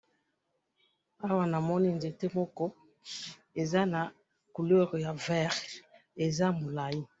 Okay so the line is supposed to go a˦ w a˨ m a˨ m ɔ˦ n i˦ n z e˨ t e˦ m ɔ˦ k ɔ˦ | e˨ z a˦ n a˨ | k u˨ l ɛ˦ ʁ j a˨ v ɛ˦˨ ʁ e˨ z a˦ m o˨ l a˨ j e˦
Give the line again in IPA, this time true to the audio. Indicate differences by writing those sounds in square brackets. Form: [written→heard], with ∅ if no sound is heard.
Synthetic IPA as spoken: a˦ w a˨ [m→n] a˨ m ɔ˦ n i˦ n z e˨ t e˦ m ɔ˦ k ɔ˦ | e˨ z a˦ n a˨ | k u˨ l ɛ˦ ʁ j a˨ v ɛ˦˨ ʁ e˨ z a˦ m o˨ l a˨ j [e˦→i˦]